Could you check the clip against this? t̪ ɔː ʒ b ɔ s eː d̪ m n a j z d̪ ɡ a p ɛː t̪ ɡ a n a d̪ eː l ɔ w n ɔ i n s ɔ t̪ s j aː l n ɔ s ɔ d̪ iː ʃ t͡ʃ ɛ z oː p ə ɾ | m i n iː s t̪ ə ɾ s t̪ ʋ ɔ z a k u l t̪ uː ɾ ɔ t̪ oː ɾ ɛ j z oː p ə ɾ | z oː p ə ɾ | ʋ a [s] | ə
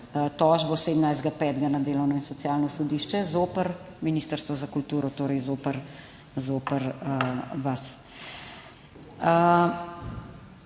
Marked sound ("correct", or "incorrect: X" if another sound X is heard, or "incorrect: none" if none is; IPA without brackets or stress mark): correct